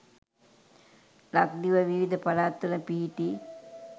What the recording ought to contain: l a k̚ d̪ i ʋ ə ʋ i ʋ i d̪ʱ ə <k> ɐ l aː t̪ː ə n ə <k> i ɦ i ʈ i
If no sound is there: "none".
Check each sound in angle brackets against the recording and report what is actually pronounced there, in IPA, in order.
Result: p, p

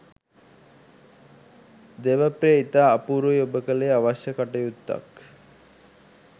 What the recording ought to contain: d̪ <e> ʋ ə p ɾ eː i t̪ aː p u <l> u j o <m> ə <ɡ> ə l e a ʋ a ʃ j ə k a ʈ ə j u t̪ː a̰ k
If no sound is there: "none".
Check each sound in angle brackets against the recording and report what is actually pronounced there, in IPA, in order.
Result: e, ɾ, b, k

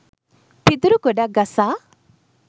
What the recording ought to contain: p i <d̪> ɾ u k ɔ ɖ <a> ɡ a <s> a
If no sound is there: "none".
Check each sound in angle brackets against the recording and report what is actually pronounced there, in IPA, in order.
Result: d̪, a, s

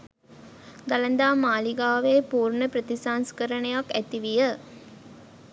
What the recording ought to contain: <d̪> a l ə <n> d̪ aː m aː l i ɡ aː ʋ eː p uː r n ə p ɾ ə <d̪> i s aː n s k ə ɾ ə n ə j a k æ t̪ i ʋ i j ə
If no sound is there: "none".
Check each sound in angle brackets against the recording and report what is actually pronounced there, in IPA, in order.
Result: d̪, n, t̪

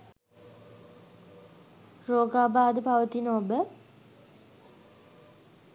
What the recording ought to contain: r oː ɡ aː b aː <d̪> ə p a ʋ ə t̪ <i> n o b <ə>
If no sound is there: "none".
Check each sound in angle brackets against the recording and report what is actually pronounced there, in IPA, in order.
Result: d̪, i, ə

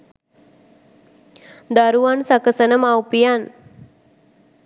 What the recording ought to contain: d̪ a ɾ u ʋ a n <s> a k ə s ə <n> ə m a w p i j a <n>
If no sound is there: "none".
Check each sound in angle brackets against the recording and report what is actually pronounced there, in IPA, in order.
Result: s, n, n

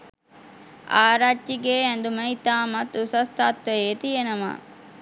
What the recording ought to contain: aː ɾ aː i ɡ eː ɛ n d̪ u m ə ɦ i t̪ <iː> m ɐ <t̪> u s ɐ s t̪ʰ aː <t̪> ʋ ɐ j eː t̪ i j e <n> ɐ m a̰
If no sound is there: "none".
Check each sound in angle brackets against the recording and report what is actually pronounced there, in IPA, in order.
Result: aː, t̪, t̪, n

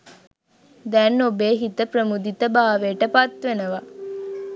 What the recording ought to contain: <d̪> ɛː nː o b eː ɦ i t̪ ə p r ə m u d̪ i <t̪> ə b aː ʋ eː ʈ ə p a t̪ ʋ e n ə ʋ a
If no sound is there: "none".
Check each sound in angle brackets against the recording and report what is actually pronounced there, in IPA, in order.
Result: d̪, t̪

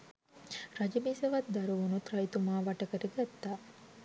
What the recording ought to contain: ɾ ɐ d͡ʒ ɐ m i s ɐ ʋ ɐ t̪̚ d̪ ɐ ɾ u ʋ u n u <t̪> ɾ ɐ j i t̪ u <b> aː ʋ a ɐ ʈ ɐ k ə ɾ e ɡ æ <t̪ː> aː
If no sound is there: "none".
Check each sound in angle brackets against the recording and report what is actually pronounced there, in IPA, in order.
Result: t̪, m, t̪ː

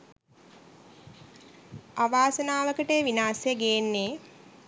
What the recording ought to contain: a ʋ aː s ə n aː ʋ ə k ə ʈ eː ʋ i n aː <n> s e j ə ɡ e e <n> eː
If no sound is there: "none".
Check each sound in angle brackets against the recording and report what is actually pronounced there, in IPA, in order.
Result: none, nː

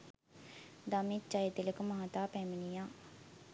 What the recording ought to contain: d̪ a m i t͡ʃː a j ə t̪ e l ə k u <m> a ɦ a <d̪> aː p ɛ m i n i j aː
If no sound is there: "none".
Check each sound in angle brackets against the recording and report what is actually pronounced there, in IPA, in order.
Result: m, t̪

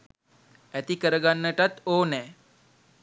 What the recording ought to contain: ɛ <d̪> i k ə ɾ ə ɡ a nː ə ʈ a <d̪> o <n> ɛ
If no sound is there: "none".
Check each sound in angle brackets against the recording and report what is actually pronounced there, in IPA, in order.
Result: t̪, t̪, n

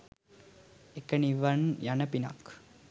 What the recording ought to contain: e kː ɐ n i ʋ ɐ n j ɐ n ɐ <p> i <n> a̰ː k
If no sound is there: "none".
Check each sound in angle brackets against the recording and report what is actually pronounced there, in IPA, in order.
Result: p, n

